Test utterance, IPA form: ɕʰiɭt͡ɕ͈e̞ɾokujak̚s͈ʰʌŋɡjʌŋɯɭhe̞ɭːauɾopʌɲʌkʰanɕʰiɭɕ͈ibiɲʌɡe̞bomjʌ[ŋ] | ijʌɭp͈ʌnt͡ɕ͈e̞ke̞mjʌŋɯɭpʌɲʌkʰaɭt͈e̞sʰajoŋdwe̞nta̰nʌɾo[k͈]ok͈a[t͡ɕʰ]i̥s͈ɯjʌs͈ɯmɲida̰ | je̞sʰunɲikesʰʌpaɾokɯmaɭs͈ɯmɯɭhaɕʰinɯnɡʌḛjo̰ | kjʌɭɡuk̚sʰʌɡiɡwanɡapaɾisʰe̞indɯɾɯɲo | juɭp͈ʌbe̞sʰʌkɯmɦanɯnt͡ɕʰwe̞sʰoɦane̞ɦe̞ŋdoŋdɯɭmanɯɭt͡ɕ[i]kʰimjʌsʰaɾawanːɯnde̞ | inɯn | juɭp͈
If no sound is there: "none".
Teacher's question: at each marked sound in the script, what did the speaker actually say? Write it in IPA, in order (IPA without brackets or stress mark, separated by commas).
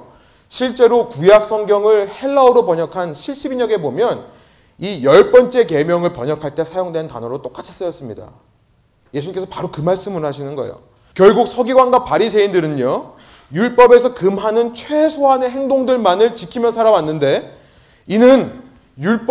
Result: n, t͈, t͡ɕʰ, i